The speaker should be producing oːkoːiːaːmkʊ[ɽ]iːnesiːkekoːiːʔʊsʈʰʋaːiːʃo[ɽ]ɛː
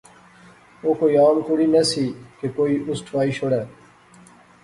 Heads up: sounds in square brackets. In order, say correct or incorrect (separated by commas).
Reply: correct, correct